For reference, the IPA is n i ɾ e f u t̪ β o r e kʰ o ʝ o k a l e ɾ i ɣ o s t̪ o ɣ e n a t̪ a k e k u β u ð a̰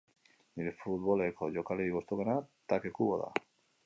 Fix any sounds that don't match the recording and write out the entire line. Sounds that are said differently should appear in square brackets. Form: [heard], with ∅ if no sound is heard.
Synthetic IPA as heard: n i ɾ e f u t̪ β o [l] e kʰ o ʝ o k a l e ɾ i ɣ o s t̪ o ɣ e n a t̪ a k e k u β [o] ð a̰